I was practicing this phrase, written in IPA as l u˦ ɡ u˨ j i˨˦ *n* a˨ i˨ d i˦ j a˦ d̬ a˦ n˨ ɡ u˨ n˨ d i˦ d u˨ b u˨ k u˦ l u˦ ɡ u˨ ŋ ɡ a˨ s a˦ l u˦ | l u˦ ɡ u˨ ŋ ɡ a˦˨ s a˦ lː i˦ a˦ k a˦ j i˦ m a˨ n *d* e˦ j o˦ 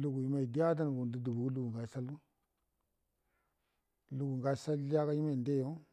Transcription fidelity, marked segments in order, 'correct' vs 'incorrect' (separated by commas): incorrect, correct